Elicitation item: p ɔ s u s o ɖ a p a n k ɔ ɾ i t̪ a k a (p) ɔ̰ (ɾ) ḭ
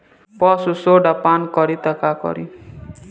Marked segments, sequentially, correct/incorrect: incorrect, correct

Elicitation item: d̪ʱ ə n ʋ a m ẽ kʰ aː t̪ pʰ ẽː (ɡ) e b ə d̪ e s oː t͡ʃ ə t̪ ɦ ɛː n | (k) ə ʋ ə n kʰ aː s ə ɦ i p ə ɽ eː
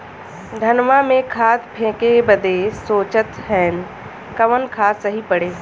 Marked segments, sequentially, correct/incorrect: incorrect, correct

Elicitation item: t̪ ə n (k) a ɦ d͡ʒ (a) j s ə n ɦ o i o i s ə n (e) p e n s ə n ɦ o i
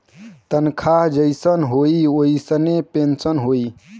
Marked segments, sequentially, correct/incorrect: incorrect, incorrect, correct

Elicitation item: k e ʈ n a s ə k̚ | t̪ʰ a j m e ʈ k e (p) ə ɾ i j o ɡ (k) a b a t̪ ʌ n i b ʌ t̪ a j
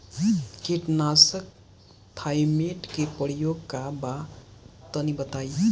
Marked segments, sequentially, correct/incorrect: correct, correct

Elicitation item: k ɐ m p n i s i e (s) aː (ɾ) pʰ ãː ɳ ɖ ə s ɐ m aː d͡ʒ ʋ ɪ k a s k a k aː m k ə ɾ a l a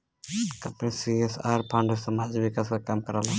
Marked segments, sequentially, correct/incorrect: correct, correct

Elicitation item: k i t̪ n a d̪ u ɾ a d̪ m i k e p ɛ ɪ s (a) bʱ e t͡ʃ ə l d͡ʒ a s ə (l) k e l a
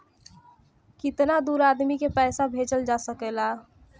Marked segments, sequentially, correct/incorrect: correct, incorrect

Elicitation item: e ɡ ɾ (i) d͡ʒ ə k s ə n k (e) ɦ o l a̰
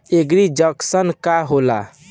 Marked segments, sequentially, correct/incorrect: correct, incorrect

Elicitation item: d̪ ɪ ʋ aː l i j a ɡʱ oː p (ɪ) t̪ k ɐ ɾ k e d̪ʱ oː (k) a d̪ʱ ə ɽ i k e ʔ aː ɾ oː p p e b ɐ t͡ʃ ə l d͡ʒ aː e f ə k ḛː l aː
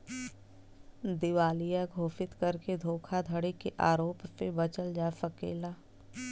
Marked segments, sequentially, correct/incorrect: correct, incorrect

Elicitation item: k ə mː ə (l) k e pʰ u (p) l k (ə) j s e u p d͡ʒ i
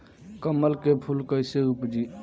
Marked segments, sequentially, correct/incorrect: correct, incorrect, correct

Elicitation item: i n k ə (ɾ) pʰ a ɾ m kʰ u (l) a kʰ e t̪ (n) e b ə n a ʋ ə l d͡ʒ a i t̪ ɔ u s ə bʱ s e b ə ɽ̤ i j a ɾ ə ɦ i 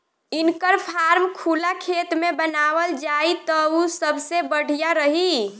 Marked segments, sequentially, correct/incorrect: correct, correct, incorrect

